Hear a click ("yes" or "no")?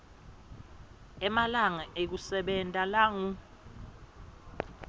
no